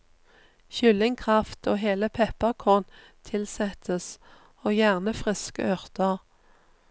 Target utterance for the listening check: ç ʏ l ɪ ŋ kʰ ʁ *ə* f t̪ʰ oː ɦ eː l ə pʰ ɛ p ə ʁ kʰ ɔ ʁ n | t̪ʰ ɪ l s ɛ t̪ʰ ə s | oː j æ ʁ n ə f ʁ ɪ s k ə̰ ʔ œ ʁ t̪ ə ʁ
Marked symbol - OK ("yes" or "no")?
no